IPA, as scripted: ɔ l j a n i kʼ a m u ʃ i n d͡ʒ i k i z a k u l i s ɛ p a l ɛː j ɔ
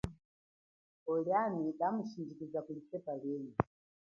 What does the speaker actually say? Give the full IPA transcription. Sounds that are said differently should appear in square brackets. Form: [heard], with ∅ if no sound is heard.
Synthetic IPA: ɔ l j a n i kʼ a m u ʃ i n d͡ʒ i k i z a k u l i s ɛ p a l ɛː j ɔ